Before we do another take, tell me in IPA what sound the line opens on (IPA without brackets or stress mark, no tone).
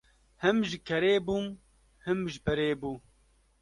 h